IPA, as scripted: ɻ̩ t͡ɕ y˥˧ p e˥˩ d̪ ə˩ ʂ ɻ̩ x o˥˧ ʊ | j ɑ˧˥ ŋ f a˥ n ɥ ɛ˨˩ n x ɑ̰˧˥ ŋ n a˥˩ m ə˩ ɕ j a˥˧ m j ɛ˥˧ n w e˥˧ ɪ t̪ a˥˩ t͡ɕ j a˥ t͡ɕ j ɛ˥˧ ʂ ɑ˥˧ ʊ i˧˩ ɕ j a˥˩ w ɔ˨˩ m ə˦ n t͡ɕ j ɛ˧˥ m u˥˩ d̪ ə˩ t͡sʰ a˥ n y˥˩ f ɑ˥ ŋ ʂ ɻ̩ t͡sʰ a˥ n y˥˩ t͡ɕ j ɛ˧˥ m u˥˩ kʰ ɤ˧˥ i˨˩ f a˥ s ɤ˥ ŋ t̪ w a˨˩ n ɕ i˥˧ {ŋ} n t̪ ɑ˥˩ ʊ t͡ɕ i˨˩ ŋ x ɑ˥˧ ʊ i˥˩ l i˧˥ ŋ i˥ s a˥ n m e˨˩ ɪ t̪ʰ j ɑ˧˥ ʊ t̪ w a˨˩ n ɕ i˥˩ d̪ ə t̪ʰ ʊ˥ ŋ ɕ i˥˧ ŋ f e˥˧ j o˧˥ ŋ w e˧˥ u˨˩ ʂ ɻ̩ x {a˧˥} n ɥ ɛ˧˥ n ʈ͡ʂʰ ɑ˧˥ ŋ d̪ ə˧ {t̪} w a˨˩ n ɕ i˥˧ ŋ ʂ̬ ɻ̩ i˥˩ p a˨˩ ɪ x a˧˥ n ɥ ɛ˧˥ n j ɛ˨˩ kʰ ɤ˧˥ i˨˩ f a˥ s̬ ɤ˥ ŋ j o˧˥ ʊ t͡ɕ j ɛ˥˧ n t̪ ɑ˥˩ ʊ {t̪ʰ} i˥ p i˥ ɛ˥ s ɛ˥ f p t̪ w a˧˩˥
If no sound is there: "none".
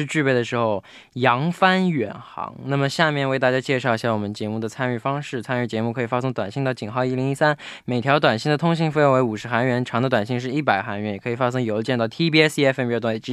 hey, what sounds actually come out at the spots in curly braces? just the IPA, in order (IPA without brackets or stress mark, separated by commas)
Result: ŋ, a˧˥, t̪, t̪ʰ